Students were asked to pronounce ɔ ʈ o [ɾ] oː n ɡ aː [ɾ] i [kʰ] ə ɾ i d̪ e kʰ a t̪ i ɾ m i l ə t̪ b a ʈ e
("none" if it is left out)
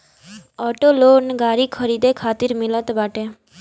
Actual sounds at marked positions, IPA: l, ɾ, kʰ

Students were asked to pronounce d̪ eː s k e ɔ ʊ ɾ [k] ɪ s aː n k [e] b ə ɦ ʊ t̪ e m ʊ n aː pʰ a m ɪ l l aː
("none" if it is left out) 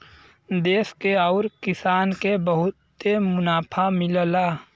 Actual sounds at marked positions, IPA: k, e

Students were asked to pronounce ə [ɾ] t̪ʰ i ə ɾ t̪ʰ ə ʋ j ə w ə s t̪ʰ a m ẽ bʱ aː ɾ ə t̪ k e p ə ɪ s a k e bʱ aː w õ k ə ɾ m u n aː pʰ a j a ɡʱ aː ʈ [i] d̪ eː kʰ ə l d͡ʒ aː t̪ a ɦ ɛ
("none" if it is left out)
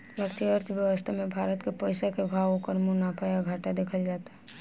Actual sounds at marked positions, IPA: ɾ, a

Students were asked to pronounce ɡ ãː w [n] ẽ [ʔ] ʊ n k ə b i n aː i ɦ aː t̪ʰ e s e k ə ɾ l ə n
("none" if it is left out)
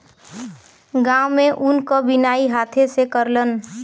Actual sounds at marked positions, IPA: m, ʔ

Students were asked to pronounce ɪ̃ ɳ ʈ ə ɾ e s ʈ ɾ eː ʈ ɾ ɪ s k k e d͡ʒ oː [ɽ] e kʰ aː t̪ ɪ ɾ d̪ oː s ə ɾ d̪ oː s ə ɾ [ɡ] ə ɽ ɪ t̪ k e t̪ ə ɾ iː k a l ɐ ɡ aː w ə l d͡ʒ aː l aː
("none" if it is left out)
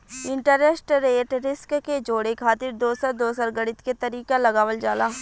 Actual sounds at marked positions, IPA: ɽ, ɡ

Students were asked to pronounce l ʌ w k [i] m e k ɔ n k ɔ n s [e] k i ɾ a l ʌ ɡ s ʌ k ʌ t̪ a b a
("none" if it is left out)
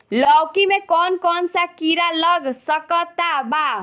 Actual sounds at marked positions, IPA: i, a

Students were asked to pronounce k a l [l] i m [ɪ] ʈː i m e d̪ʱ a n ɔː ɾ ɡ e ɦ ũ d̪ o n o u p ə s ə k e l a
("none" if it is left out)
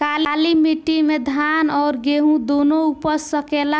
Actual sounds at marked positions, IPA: l, i

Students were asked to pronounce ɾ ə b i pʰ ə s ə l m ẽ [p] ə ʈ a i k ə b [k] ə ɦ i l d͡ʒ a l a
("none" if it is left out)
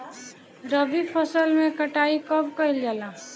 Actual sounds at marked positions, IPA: k, k

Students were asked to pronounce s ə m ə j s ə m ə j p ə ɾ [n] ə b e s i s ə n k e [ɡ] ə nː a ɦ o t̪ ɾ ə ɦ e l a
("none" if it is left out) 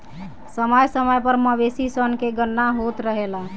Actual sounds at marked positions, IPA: m, ɡ

